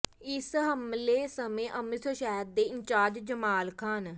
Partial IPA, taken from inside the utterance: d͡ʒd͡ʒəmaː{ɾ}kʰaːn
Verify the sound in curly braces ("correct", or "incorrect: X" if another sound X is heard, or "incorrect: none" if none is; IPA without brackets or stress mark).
incorrect: l